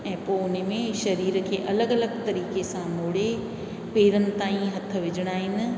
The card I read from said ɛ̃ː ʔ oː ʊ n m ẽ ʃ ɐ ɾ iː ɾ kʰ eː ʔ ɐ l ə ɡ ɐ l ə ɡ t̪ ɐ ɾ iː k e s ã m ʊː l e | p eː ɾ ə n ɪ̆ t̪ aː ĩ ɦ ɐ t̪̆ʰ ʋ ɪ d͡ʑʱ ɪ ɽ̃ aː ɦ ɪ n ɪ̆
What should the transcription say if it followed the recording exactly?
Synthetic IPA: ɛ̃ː p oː ʊ n m ẽ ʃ ɐ ɾ iː ɾ kʰ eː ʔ ɐ l ə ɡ ɐ l ə ɡ t̪ ɐ ɾ iː k e s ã m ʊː ɽ e | p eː ɾ ə n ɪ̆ t̪ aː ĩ ɦ ɐ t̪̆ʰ ʋ ɪ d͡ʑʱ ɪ ɽ̃ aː ɦ ɪ n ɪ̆